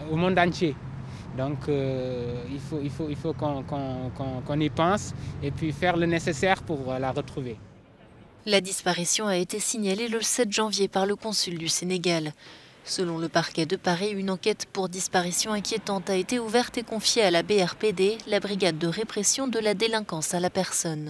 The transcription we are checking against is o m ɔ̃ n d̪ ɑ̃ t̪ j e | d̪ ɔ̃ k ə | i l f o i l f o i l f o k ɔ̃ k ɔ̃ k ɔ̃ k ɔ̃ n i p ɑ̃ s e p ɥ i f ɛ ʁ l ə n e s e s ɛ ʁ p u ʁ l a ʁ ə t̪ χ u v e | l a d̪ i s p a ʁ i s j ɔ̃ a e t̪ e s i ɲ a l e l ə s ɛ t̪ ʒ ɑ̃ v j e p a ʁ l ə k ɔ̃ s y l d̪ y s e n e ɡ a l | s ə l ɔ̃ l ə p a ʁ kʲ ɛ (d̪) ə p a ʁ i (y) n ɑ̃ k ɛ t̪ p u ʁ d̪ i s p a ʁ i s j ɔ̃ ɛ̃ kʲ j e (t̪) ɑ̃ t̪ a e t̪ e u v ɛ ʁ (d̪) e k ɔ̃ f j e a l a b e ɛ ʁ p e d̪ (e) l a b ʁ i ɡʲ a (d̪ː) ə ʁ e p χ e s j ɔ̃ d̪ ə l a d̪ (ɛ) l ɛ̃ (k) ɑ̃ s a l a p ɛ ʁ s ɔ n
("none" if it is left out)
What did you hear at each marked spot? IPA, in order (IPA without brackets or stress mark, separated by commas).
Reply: d̪, y, t̪, t̪, e, d̪ː, e, k